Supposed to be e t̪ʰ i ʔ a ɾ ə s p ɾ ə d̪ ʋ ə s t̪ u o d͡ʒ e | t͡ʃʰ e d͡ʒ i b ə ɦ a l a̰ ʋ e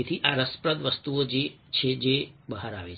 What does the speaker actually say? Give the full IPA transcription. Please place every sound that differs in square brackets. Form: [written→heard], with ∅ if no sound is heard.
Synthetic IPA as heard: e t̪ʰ i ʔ a ɾ ə s p ɾ ə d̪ ʋ ə s t̪ u o d͡ʒ e | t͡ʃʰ e d͡ʒ [i→e] b ə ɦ a [l→ɾ] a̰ ʋ e